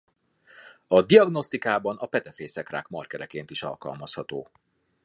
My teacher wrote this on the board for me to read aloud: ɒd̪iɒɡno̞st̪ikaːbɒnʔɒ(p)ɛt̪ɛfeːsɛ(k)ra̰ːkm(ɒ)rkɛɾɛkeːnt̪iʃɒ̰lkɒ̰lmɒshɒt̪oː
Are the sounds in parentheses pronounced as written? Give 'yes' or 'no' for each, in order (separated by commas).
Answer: yes, yes, yes